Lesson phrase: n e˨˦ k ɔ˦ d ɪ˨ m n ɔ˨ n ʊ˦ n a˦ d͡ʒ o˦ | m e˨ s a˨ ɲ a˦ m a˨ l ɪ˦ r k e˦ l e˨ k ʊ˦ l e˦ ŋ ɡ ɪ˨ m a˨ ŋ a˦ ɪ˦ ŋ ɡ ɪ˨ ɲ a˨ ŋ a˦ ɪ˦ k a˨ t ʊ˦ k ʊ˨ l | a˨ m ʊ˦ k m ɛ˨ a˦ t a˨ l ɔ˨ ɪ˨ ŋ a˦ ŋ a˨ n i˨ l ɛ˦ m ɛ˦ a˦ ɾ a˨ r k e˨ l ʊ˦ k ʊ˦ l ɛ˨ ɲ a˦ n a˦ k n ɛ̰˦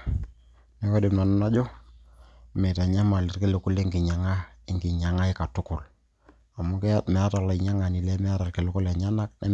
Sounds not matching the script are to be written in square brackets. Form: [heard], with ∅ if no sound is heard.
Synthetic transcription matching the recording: n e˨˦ k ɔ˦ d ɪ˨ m n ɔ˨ n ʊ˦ n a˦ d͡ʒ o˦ | m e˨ [t] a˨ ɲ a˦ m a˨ l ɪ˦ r k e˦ l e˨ k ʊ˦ l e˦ ŋ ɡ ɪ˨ [ɲ] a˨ ŋ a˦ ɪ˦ ŋ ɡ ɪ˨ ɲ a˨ ŋ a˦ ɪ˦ k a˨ t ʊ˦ k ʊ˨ l | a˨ m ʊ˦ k m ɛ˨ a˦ t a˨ l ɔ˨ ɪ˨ [ɲ] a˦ ŋ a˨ n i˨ l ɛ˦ m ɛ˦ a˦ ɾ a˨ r k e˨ l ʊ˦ k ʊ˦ l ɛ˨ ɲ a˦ n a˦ k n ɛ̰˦

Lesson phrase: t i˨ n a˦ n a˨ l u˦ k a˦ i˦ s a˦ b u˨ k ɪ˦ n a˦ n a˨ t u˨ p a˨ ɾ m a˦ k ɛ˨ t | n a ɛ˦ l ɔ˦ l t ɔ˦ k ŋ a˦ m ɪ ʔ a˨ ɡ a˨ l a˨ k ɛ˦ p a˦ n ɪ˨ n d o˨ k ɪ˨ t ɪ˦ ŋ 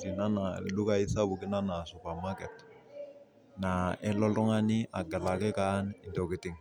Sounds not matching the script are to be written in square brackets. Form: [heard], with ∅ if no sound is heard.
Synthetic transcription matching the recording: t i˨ n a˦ n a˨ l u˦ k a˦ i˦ s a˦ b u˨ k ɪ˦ n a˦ n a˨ [s] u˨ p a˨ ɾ m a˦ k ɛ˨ t | n a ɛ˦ l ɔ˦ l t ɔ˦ [∅] ŋ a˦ [n] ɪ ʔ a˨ ɡ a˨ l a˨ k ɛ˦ [k] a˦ n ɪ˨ n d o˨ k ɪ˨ t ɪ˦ ŋ

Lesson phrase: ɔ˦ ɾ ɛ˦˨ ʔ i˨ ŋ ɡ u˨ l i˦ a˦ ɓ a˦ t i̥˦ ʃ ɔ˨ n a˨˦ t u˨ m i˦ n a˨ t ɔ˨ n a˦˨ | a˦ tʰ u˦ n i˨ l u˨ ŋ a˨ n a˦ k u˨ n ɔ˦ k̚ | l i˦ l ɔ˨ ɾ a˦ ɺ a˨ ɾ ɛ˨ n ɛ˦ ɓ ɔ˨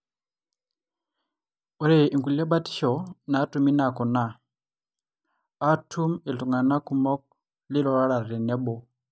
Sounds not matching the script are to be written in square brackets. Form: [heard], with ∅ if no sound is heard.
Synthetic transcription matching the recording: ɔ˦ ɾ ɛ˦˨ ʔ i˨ ŋ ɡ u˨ l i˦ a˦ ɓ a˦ t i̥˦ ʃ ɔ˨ n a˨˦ t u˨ m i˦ n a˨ [k] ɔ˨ n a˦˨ | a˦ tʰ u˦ [m] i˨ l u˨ ŋ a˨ n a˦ k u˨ [m] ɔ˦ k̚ | l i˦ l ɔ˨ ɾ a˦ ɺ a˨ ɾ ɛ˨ n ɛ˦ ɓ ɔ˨

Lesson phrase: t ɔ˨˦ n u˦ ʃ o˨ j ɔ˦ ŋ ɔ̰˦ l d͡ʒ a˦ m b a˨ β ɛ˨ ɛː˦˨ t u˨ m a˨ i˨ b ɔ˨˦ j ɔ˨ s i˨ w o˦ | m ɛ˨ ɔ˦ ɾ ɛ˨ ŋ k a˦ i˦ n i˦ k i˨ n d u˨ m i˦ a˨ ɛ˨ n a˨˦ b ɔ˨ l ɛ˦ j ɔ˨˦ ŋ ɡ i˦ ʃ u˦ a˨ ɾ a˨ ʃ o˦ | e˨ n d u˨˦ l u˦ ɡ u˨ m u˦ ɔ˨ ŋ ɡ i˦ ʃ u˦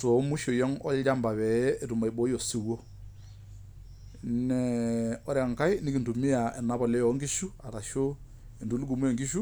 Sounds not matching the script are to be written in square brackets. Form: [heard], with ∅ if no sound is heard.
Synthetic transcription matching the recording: t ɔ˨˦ [m] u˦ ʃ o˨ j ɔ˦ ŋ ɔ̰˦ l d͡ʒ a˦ m b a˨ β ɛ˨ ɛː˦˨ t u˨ m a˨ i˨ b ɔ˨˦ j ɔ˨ s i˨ w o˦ | [n] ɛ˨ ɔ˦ ɾ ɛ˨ ŋ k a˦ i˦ n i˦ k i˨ n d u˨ m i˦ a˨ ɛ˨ n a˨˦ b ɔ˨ l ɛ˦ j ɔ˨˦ ŋ ɡ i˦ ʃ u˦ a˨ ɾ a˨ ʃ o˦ | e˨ n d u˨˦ l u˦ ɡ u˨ m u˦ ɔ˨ ŋ ɡ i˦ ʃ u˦

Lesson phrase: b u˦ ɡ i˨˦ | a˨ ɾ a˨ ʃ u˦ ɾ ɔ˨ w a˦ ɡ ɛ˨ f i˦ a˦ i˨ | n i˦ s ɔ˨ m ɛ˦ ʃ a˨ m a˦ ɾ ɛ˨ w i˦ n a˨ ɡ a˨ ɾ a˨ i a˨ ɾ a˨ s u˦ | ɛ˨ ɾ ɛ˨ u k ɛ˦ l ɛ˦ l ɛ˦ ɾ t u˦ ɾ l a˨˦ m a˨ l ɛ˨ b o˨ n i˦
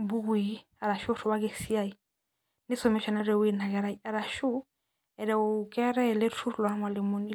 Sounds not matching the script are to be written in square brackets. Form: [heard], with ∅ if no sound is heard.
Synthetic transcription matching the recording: b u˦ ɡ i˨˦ | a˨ ɾ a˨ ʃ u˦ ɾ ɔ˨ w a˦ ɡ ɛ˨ [s] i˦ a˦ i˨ | n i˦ s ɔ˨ m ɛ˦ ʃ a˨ [n] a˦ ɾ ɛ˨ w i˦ n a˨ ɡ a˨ ɾ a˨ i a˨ ɾ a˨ [ʃ] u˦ | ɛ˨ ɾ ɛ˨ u k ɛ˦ [ɾ] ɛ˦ l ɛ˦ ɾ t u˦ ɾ l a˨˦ m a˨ l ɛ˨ [m] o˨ n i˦

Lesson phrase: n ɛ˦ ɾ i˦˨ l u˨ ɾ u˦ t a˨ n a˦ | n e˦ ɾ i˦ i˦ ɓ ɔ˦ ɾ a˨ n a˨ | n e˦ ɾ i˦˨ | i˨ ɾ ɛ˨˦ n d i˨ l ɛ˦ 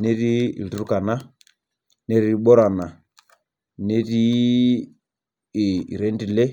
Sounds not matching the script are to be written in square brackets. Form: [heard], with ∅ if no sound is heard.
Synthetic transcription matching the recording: n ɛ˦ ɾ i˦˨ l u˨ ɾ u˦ [k] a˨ n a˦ | n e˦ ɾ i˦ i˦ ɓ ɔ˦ ɾ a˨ n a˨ | n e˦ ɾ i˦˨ | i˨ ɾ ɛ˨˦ n d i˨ l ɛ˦

